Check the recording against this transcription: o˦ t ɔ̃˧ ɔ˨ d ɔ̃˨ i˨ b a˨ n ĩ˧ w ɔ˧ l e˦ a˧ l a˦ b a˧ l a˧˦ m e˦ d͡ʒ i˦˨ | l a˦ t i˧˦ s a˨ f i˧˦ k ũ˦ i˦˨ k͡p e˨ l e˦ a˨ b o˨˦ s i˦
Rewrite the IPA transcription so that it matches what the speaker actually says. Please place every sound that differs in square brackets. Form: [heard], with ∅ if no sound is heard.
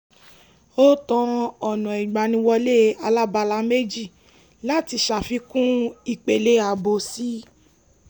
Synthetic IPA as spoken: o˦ t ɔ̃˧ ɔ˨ [n] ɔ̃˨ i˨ [ɡ͡b] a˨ n ĩ˧ w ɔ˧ l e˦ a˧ l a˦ b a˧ l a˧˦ m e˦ d͡ʒ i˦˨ | l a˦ t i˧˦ [ʃ] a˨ f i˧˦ k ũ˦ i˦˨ k͡p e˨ l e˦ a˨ b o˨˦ s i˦